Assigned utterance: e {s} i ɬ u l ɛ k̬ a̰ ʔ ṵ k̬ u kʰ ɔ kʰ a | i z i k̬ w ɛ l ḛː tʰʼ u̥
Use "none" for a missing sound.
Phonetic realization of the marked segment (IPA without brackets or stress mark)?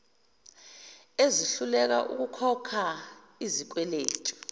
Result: z